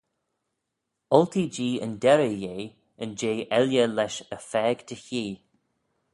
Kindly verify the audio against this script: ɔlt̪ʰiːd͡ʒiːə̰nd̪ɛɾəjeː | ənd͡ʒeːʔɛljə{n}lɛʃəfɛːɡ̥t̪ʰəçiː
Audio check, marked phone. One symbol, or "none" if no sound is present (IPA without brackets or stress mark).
none